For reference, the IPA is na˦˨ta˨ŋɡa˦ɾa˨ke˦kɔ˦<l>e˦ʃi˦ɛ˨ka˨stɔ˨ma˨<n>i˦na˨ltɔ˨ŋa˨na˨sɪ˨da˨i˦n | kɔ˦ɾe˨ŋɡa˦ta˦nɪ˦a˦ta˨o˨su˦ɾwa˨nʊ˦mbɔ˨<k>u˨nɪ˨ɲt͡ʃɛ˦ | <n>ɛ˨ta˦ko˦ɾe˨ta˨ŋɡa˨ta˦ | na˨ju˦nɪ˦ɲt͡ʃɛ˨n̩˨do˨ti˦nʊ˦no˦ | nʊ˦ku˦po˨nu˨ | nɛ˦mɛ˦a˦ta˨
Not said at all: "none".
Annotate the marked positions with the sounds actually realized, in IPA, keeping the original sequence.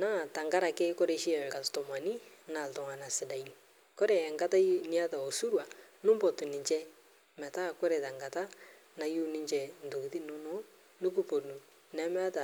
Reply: ɾ, n, t, m

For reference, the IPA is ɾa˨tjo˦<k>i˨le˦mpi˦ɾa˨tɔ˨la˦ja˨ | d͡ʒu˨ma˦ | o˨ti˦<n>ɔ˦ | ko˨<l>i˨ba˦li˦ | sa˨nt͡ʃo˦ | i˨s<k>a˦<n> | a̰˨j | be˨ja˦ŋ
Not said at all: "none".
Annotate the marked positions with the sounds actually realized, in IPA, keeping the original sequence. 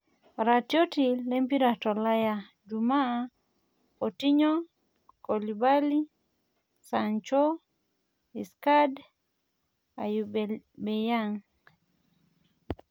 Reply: t, ɲ, l, k, d

